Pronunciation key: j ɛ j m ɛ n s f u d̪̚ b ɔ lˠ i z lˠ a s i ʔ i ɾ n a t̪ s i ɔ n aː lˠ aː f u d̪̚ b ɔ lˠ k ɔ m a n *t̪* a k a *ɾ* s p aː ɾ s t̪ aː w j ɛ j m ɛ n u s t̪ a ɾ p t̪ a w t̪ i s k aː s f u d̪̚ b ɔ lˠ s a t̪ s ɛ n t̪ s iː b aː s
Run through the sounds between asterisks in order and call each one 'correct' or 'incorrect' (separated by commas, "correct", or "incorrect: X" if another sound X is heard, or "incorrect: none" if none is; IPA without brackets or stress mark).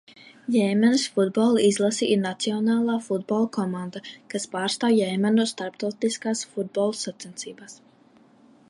incorrect: d̪, incorrect: none